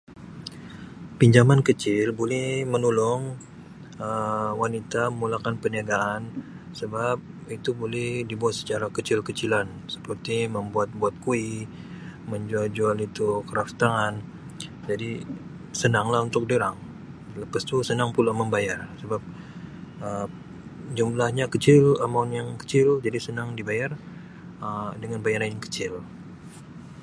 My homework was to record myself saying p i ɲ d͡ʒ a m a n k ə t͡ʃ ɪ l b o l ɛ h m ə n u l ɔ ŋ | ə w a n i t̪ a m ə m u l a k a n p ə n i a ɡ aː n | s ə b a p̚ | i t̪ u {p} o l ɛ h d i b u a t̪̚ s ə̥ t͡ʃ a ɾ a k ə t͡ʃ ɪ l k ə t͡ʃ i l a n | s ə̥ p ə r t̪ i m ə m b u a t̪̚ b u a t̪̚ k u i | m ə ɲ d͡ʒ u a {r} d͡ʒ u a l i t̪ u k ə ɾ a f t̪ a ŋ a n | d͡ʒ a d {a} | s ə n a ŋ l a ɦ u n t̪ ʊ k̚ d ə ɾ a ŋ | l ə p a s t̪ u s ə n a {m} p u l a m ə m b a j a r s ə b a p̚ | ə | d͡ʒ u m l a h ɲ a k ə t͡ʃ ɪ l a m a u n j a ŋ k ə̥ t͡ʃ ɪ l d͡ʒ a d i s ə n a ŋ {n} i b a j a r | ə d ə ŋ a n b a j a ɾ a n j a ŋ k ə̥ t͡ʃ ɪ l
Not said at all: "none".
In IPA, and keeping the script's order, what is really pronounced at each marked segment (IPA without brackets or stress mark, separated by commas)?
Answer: b, l, i, ŋ, d